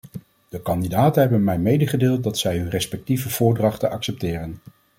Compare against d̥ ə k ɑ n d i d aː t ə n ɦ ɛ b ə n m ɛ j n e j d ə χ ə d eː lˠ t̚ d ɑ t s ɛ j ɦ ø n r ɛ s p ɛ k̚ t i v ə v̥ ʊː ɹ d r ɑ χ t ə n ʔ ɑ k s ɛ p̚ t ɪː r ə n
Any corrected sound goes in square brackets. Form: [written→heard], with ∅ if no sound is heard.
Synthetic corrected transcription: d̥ ə k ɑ n d i d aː t ə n ɦ ɛ b ə n m ɛ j [n→m] e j d ə χ ə d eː lˠ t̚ d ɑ t s ɛ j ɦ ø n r ɛ s p ɛ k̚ t i v ə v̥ ʊː ɹ d r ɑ χ t ə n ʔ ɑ k s ɛ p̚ t ɪː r ə n